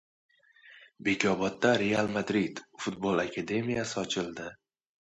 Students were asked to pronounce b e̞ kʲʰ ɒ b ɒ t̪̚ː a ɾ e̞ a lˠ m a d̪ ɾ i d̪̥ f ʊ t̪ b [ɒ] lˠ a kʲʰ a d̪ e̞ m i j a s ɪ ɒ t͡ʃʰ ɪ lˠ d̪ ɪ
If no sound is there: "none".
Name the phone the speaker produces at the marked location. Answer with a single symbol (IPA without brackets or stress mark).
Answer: o